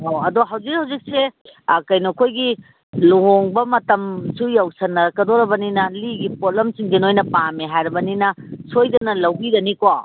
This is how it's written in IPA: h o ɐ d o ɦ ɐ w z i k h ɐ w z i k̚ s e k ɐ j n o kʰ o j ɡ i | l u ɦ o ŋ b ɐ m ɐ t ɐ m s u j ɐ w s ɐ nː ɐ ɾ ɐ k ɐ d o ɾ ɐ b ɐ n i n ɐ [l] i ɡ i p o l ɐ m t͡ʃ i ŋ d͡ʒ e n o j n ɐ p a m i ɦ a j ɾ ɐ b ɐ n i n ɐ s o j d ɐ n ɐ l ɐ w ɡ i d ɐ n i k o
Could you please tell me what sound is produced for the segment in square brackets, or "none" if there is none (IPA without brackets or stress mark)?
l